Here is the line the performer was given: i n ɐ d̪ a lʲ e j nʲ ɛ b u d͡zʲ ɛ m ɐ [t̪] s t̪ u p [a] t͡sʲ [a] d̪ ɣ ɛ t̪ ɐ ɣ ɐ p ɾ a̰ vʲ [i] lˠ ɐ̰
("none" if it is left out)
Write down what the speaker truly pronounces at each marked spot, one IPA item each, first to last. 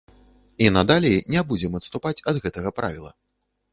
t̪, a, ɐ, i

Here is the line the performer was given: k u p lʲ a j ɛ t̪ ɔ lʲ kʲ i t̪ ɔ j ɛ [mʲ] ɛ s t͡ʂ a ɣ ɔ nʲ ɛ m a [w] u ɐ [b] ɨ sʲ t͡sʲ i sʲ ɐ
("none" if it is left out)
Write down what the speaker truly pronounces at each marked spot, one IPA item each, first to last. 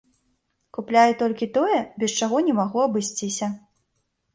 bʲ, ɣ, b

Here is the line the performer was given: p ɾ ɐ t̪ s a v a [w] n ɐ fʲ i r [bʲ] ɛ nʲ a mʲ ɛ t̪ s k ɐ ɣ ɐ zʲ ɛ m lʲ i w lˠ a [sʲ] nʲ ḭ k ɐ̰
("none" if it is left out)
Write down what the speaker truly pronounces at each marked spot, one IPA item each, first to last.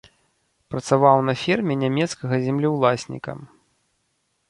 w, mʲ, sʲ

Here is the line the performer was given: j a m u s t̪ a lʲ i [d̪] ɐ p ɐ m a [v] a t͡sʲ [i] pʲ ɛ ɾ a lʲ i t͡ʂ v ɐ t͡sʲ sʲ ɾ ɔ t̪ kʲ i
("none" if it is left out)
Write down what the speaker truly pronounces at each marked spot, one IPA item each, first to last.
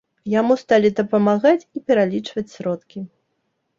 d̪, ɣ, i

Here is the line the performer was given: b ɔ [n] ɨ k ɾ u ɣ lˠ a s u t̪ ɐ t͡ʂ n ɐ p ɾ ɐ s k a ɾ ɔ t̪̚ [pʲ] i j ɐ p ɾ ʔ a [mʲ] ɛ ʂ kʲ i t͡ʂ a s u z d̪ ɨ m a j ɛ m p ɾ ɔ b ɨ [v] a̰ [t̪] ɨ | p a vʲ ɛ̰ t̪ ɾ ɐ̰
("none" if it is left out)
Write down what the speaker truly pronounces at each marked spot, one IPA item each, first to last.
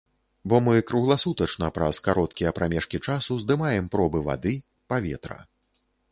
m, kʲ, mʲ, v, d̪

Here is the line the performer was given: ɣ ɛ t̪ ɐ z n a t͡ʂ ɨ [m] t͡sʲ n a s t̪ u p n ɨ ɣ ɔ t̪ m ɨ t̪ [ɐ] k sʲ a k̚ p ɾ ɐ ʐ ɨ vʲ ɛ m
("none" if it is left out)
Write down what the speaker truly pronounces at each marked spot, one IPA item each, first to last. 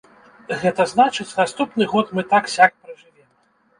none, a

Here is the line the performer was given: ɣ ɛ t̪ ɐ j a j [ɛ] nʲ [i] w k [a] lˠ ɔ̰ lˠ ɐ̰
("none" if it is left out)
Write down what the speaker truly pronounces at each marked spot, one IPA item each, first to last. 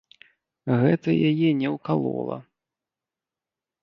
ɛ, ɛ, a

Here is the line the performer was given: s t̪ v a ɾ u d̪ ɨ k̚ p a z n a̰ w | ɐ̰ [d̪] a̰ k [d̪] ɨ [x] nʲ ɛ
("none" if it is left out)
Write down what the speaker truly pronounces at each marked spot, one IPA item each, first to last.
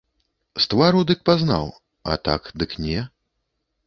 t̪, d̪, k

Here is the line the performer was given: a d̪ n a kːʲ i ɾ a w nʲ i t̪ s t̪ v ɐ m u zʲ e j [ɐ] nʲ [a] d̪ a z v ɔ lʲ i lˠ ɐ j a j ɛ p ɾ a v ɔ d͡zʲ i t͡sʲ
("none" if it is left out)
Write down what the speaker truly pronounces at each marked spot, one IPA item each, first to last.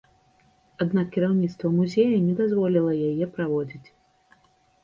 ɐ, ɛ

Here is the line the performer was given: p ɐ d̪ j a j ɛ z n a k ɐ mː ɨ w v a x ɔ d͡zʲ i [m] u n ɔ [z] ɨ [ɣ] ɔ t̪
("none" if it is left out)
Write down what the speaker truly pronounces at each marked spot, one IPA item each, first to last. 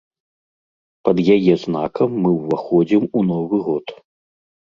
m, v, ɣ

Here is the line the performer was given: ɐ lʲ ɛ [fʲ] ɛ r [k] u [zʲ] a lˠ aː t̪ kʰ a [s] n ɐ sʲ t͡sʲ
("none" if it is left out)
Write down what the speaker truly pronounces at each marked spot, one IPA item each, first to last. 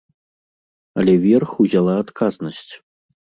vʲ, x, zʲ, z

